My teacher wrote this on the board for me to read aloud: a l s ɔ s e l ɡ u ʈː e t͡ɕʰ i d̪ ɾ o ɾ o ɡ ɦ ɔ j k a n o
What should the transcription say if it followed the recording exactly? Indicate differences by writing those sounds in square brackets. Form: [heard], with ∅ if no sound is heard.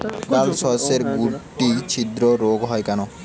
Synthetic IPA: a l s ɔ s e [ɾ] ɡ u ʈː [i] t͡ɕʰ i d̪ ɾ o ɾ o ɡ ɦ ɔ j k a n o